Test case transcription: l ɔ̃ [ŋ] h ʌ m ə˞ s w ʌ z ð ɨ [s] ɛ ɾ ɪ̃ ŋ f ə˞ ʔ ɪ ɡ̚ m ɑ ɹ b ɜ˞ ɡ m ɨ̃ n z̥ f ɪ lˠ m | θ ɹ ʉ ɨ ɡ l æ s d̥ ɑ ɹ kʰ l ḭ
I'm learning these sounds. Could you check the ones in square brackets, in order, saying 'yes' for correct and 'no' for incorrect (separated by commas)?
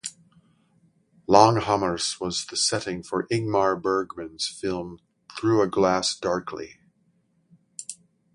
yes, yes